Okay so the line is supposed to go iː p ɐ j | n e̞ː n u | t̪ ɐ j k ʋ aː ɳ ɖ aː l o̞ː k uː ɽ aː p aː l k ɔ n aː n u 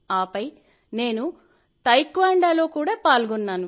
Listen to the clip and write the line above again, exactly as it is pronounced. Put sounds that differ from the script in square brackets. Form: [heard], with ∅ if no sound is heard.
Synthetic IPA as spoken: [aː] p ɐ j | n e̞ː n u | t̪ ɐ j k ʋ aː ɳ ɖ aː l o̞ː k uː ɽ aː p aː l [ɡ] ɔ [nː] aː n u